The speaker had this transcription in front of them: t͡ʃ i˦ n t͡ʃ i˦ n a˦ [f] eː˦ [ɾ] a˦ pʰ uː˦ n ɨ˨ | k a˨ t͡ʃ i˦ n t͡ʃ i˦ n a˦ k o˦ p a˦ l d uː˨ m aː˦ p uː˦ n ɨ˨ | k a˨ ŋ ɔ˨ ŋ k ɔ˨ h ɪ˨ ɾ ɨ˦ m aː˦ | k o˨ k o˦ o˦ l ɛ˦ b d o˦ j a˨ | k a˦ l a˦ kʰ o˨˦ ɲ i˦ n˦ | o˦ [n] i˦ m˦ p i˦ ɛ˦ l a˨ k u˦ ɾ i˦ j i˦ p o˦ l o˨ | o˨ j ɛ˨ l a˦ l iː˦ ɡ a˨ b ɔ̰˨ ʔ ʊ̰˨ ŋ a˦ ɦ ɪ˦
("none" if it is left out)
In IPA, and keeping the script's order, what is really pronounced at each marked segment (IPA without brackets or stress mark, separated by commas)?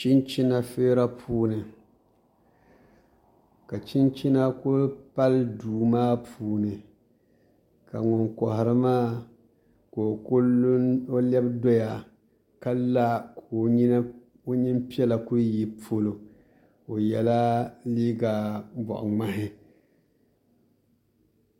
f, ɾ, ɲ